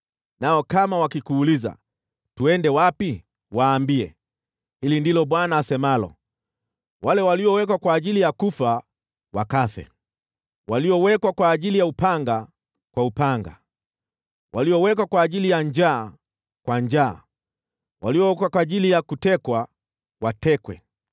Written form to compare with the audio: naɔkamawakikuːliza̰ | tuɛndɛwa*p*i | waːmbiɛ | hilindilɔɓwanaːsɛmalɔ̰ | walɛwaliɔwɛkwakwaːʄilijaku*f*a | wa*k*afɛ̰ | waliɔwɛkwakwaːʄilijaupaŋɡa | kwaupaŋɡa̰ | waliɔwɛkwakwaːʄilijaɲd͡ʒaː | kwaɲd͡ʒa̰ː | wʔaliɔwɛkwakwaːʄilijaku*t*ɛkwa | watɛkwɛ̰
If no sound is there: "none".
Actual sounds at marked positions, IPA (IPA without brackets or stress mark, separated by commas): p, f, k, t